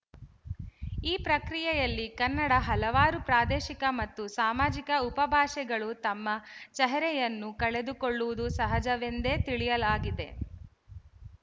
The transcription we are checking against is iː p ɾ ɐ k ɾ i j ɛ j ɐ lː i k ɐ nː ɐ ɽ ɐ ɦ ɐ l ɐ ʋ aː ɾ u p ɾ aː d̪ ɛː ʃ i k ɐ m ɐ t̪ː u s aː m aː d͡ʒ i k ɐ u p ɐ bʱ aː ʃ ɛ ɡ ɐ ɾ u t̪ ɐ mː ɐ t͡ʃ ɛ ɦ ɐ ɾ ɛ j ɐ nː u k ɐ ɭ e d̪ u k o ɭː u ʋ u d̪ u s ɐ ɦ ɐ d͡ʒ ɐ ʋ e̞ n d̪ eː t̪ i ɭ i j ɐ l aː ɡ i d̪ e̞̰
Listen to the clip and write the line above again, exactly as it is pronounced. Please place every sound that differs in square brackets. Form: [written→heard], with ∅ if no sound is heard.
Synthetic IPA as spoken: iː p ɾ ɐ k ɾ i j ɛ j ɐ lː i k ɐ nː ɐ ɽ ɐ ɦ ɐ l ɐ ʋ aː ɾ u p ɾ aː d̪ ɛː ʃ i k ɐ m ɐ t̪ː u s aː m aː d͡ʒ i k ɐ u p ɐ bʱ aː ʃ ɛ ɡ ɐ [ɾ→ɭ] u t̪ ɐ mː ɐ t͡ʃ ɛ ɦ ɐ ɾ ɛ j ɐ nː u k ɐ ɭ e d̪ u k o ɭː u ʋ u d̪ u s ɐ ɦ ɐ d͡ʒ ɐ ʋ e̞ n d̪ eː t̪ i ɭ i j ɐ l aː ɡ i d̪ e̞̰